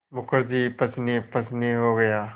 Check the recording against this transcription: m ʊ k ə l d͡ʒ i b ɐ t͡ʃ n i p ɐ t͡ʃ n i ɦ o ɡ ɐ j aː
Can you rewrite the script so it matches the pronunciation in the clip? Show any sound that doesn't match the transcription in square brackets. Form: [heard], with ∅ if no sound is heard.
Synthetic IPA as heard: m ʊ k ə [ɾ] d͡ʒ i [p] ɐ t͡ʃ n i p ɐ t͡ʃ n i ɦ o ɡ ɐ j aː